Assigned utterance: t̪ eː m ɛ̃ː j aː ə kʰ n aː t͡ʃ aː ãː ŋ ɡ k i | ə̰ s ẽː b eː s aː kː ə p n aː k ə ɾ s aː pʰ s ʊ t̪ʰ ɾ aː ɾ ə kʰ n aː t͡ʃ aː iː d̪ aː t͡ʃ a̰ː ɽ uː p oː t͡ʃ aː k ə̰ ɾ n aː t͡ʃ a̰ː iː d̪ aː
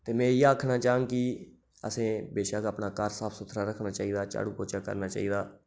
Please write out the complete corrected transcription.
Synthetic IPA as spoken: t̪ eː m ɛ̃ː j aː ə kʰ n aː t͡ʃ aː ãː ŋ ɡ k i | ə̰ s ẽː b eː ʃ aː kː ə p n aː k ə ɾ s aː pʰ s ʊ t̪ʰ ɾ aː ɾ ə kʰ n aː t͡ʃ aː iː d̪ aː t͡ʃ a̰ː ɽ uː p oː t͡ʃ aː k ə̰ ɾ n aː t͡ʃ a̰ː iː d̪ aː

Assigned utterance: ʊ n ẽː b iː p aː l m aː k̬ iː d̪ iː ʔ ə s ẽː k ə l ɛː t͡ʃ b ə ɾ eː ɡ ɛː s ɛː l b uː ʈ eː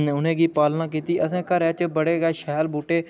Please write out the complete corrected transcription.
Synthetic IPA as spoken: ʊ n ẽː ɡ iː p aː l n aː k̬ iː t̪ iː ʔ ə s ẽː k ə ɾ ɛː t͡ʃ b ə ɽ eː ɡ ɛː ʃ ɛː l b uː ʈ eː

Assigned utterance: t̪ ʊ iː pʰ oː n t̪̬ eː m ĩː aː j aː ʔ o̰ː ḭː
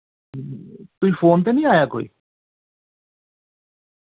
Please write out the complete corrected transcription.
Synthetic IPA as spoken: t̪ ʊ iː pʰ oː n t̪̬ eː n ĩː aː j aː k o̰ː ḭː

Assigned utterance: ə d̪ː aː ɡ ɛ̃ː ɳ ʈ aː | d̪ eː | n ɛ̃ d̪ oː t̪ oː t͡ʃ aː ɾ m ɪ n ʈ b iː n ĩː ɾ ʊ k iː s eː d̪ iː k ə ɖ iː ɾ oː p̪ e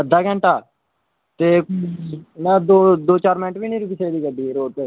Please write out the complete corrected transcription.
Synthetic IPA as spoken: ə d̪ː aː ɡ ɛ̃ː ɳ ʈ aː | t̪ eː | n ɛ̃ d̪ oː d̪ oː t͡ʃ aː ɾ m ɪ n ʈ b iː n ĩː ɾ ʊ k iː s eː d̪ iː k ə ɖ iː ɾ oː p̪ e

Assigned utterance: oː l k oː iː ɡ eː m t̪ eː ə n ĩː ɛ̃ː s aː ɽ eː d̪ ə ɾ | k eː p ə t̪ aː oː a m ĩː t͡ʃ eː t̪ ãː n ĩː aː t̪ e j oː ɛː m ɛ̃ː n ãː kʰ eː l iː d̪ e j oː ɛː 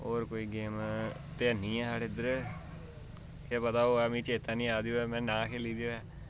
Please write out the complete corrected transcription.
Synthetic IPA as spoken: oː ɾ k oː iː ɡ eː m t̪ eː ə n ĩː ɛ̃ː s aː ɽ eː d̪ ə ɾ | k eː p ə t̪ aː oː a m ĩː t͡ʃ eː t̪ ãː n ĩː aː d̪ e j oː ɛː m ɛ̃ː n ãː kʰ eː l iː d̪ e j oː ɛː

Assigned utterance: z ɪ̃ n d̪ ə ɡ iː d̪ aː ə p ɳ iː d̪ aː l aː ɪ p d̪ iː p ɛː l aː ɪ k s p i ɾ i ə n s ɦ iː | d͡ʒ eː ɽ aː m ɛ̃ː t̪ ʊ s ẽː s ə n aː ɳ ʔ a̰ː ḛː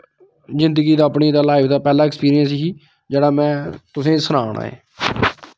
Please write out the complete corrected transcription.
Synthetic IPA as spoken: z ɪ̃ n d̪ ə ɡ iː d̪ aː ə p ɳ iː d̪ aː l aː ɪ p d̪ aː p ɛː l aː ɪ k s p iː ɾ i ə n s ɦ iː | d͡ʒ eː ɽ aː m ɛ̃ː t̪ ʊ s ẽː s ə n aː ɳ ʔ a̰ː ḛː

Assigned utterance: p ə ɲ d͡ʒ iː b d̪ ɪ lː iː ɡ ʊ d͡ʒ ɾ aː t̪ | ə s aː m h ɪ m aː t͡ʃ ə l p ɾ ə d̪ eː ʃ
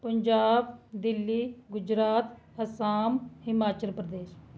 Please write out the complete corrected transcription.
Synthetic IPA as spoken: p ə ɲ d͡ʒ aː b d̪ ɪ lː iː ɡ ʊ d͡ʒ ɾ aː t̪ | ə s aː m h ɪ m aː t͡ʃ ə l p ɾ ə d̪ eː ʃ

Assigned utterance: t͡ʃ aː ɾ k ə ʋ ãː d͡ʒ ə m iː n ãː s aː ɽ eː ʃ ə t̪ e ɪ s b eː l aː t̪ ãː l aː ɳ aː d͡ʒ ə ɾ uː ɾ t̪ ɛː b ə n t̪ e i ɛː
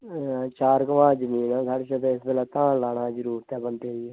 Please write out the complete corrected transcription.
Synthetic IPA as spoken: t͡ʃ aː ɾ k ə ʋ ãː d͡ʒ ə m iː n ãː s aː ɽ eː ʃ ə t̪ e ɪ s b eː l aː t̪ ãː l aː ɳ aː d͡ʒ ə ɾ uː ɾ t̪ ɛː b ə n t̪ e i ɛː

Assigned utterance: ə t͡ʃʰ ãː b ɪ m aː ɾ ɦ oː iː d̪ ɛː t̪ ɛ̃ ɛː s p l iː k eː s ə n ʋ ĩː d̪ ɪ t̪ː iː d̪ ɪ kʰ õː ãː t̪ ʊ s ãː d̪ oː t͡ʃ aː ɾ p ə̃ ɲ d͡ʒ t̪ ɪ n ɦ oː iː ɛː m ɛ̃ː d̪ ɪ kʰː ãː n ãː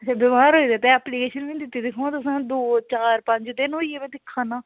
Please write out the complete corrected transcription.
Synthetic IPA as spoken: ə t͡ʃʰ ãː b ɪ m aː ɾ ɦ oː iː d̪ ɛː t̪ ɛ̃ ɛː p l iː k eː ʃ ə n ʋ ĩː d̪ ɪ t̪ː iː d̪ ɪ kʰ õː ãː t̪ ʊ s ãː d̪ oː t͡ʃ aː ɾ p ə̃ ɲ d͡ʒ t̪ ɪ n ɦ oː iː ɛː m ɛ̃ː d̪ ɪ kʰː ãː n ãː

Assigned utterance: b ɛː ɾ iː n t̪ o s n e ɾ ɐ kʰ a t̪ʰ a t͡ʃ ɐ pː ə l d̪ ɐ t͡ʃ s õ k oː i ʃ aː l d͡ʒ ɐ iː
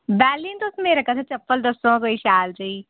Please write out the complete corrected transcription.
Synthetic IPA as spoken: b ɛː l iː n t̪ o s m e ɾ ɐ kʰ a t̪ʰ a t͡ʃ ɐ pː ə l d̪ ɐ s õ k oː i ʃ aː l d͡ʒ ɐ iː

